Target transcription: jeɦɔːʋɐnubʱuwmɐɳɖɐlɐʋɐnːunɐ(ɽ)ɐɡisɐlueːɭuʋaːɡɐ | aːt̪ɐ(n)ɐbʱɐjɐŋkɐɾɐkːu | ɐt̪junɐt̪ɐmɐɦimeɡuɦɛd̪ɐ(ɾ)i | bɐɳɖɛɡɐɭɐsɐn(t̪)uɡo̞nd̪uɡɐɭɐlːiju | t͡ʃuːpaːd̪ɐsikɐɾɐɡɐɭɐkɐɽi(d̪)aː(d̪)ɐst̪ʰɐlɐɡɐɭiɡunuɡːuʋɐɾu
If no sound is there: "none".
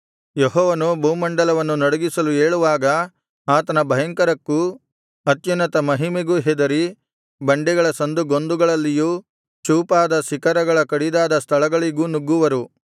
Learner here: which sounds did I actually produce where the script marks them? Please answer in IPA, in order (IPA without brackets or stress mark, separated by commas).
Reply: ɽ, n, ɾ, d̪, d̪, d̪